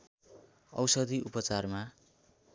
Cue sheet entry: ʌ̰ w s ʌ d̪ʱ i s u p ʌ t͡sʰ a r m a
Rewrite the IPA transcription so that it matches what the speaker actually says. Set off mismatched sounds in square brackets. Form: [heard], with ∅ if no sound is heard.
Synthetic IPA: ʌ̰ w s ʌ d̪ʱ i [∅] u p ʌ [t͡s] a r m a